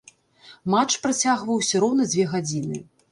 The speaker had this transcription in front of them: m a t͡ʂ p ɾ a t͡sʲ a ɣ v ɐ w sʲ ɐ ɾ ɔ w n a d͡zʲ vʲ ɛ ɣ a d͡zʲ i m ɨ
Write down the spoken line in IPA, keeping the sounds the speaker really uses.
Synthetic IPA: m a t͡ʂ p ɾ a t͡sʲ a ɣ v ɐ w sʲ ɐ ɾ ɔ w n ɐ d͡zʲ vʲ ɛ ɣ a d͡zʲ i n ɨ